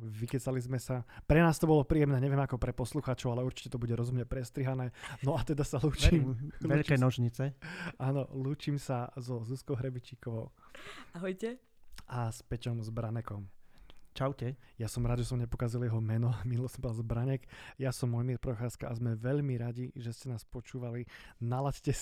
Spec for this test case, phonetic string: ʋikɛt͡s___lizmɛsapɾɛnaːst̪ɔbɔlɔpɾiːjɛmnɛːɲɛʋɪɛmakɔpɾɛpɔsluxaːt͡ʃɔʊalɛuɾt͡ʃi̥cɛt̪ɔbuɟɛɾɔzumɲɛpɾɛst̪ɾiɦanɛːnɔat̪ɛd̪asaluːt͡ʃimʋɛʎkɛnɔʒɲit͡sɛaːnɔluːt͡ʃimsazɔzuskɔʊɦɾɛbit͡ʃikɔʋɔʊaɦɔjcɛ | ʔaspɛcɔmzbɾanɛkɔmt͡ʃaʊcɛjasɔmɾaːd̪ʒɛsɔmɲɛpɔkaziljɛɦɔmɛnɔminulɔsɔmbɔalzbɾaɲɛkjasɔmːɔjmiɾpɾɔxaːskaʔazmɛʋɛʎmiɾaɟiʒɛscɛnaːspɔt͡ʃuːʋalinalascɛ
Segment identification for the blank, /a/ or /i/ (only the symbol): a